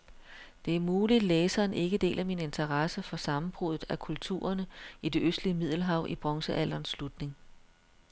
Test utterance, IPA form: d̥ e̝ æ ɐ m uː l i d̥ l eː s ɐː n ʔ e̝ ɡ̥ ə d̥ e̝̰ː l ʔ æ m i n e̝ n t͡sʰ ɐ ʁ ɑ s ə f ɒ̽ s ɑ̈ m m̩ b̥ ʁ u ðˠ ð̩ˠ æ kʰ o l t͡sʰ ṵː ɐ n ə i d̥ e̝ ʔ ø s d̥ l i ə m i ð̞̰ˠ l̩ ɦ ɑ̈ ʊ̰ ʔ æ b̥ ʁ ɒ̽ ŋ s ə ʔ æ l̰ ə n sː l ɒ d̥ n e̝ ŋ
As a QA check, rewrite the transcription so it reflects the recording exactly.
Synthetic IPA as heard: d̥ e̝ æ ɐ m uː l i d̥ l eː s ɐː n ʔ e̝ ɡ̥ ə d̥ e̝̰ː l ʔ æ m i n e̝ n t͡sʰ ɐ ʁ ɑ s ə f ɒ̽ s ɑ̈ m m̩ b̥ ʁ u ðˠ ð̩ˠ æ kʰ u l t͡sʰ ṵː ɐ n ə i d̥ e̝ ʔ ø s d̥ l i ə m i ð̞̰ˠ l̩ ɦ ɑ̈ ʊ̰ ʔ i b̥ ʁ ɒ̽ ŋ s ə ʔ æ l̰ ɐ n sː l u d̥ n e̝ ŋ